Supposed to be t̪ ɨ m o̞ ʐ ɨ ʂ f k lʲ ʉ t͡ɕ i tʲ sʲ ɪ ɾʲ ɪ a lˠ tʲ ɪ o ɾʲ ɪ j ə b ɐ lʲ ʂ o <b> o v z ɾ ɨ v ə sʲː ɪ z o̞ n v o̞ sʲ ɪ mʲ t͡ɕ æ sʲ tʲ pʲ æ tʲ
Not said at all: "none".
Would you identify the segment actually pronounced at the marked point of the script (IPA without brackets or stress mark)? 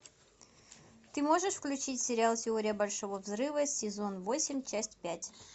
v